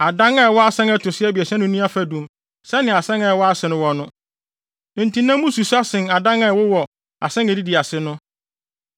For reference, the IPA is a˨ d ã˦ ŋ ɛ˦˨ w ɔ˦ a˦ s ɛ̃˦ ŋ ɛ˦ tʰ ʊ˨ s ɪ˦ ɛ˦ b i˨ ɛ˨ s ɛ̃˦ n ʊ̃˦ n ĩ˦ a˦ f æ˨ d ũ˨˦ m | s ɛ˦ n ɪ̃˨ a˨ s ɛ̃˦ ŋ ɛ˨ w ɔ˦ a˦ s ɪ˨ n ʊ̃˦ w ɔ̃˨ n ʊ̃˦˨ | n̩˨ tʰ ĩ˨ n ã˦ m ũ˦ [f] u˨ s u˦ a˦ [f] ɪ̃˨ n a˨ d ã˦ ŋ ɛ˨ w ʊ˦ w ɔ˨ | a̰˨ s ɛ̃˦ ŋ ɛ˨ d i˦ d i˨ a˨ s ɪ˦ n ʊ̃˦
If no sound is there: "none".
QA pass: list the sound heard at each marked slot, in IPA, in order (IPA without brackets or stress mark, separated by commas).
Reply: s, s